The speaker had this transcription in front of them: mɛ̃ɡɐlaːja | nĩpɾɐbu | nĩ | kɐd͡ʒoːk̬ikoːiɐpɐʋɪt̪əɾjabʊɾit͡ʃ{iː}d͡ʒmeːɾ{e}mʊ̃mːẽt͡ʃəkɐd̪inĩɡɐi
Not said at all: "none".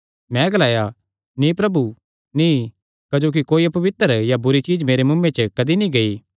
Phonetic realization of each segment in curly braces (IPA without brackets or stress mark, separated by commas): iː, e